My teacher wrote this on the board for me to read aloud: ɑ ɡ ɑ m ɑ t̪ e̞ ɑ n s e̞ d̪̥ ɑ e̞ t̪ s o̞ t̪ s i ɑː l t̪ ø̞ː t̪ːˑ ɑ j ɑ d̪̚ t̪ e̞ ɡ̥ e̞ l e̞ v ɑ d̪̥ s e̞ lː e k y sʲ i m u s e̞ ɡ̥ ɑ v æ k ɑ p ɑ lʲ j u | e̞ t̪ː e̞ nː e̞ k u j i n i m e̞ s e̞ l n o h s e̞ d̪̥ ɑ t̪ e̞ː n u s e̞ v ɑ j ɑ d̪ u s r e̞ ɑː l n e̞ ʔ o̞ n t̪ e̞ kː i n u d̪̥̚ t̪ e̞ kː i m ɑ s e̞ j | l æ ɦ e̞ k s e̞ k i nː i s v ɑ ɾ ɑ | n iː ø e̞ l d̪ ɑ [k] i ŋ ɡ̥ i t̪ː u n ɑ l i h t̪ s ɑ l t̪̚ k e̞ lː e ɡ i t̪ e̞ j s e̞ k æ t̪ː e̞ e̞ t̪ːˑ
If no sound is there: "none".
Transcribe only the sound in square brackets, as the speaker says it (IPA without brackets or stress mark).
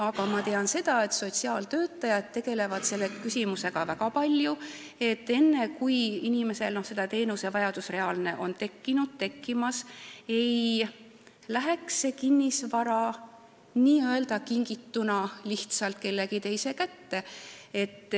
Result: k